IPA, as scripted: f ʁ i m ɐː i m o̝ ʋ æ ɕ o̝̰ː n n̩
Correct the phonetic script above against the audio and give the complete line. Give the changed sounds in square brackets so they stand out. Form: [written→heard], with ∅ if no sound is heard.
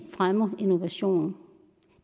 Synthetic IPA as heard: f ʁ [i→a] m [ɐː→ɐ] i [m→n] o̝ ʋ æ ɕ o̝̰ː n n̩